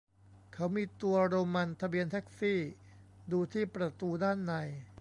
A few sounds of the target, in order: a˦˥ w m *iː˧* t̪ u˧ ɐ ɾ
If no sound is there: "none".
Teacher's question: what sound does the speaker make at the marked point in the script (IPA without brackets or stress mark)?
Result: iː˧